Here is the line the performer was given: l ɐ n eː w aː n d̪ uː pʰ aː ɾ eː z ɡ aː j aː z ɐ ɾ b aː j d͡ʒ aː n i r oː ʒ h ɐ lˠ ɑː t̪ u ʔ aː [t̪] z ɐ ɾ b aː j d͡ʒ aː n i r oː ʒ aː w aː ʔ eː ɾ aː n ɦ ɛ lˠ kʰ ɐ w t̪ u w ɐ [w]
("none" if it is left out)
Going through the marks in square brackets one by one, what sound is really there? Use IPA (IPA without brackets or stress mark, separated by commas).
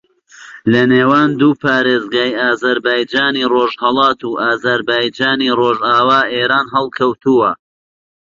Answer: none, none